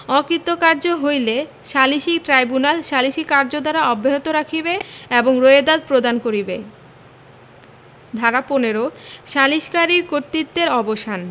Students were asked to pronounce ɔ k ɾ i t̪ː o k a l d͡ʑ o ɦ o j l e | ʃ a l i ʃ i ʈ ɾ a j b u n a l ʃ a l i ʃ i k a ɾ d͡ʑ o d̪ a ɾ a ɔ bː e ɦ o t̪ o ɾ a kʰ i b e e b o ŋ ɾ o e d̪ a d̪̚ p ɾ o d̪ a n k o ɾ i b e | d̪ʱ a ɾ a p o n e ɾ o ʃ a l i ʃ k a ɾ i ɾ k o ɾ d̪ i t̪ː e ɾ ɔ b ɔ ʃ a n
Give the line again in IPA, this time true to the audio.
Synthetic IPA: ɔ k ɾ i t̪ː o k a ɾ d͡ʑ o ɦ o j l e | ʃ a l i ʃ i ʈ ɾ a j b u n a l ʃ a l i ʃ i k a ɾ d͡ʑ o d̪ a ɾ a ɔ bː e ɦ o t̪ o ɾ a kʰ i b e e b o ŋ ɾ o e d̪ a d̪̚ p ɾ o d̪ a n k o ɾ i b e | d̪ʱ a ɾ a p o n e ɾ o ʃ a l i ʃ k a ɾ i ɾ k o ɾ t̪ i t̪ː e ɾ ɔ b o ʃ a n